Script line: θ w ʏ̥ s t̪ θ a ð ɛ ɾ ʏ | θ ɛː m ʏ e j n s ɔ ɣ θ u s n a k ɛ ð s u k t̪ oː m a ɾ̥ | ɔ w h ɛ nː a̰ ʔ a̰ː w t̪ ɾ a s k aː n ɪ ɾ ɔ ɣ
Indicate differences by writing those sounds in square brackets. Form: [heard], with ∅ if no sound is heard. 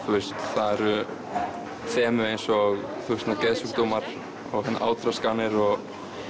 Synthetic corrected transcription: θ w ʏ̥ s t̪ θ a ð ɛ ɾ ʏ | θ ɛː m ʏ e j n s ɔ ɣ θ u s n a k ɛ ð s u k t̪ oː m a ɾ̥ | ɔ [ɣ] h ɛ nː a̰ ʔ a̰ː w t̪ ɾ a s k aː n ɪ ɾ ɔ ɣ